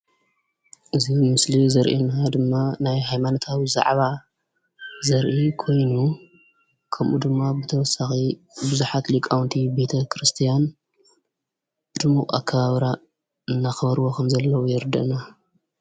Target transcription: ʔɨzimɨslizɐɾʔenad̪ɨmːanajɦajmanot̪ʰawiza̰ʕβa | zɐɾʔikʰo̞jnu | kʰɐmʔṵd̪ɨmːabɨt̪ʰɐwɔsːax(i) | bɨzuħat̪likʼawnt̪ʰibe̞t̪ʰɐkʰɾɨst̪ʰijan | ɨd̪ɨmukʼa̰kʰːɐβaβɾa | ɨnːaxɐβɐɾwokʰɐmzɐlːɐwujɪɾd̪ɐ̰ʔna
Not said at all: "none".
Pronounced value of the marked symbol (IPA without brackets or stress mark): i